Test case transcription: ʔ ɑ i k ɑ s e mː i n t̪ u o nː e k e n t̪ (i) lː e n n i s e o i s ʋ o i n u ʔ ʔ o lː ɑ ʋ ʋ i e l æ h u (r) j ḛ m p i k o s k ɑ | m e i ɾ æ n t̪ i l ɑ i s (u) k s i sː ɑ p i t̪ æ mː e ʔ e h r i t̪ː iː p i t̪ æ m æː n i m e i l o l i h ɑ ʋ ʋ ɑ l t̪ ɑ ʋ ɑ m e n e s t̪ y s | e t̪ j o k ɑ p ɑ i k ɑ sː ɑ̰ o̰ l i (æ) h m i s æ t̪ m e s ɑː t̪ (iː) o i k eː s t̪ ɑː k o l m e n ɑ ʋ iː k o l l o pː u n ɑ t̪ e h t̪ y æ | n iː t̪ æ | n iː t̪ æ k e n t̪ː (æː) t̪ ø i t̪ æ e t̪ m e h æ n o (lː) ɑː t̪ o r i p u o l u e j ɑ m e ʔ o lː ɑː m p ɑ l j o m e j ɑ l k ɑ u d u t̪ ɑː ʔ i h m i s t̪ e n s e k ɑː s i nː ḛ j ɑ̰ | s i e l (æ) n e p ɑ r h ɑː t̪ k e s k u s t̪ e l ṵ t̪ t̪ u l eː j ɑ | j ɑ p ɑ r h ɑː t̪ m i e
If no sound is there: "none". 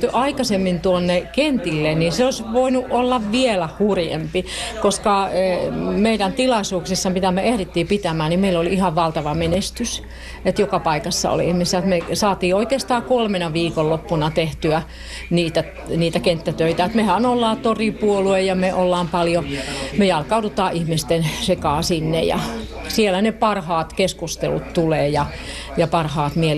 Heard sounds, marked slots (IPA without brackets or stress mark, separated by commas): i, r, uː, i, iː, æ, lː, æ